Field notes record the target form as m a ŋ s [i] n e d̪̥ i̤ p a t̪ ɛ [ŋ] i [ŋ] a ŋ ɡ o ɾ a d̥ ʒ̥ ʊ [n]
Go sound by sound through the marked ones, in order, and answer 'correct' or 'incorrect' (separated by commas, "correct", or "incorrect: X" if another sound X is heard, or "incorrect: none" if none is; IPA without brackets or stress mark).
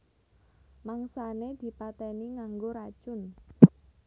incorrect: a, incorrect: n, correct, correct